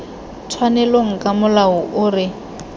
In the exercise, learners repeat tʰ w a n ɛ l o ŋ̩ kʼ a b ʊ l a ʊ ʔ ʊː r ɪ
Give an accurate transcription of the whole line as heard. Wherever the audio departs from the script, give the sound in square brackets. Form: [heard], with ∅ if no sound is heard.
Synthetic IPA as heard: tʰ w a n ɛ l o ŋ̩ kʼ a [m] ʊ l a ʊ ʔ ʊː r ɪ